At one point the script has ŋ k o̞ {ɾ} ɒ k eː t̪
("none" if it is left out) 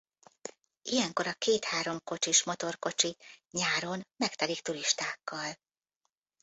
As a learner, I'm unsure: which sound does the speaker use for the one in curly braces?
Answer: ɾ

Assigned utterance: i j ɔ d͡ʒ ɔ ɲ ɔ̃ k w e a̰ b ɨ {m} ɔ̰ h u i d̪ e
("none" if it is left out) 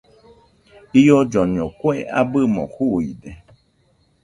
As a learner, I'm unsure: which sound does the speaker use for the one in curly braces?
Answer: m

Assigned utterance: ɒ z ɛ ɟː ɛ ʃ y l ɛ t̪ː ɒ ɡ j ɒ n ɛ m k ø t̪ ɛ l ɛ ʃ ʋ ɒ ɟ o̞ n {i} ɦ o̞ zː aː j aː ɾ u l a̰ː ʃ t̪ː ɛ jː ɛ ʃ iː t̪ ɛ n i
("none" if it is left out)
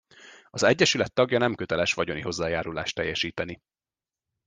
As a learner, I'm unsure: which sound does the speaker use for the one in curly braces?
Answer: i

